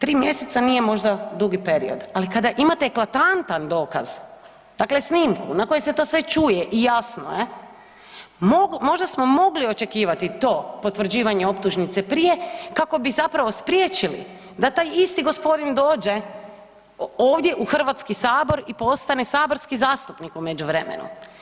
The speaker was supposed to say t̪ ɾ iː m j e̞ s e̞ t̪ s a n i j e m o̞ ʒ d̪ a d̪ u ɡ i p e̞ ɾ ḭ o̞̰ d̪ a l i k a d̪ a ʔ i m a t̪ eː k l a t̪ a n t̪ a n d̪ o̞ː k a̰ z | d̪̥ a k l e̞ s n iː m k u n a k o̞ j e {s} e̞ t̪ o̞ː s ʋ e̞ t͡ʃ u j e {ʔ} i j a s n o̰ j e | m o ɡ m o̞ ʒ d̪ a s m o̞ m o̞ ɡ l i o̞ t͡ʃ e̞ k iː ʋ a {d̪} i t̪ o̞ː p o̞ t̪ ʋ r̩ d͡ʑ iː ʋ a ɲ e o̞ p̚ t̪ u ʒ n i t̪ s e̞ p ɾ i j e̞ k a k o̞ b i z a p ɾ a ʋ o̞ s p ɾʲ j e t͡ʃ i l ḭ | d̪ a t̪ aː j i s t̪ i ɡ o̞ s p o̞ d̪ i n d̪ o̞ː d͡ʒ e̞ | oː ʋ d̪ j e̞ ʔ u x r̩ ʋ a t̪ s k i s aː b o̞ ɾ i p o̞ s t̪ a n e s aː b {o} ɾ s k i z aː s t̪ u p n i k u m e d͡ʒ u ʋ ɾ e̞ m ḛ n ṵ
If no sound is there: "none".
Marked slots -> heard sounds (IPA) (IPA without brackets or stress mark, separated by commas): s, ʔ, t̪, o